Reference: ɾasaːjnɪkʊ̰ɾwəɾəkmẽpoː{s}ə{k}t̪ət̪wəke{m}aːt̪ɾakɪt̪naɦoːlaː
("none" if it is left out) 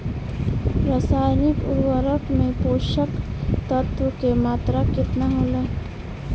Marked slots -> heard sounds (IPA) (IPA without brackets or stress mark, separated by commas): ʃ, k, m